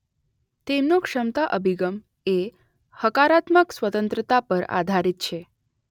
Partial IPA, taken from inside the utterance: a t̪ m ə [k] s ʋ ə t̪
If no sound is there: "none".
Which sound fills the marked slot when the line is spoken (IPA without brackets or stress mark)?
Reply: k